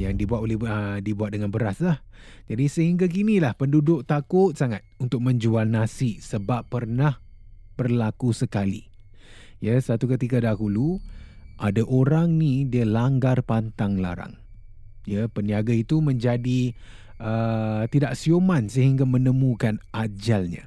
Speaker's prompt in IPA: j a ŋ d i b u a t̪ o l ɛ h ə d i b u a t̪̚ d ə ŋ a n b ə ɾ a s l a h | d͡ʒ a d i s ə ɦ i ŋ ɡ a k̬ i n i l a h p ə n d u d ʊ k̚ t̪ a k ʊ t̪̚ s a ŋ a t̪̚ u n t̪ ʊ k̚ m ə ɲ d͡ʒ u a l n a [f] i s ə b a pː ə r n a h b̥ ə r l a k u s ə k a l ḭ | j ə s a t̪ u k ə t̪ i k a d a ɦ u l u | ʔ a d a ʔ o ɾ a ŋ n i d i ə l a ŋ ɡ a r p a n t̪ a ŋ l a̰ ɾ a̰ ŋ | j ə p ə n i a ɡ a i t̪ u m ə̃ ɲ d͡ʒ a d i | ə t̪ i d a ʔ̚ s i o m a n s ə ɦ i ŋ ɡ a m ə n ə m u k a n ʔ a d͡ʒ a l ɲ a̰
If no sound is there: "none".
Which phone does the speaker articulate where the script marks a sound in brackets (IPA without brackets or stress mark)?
s